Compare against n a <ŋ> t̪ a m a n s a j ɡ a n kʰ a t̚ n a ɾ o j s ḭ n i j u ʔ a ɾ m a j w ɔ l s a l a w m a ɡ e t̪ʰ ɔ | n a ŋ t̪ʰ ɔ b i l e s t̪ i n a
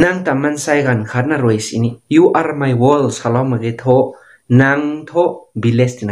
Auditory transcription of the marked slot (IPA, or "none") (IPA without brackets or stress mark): ŋ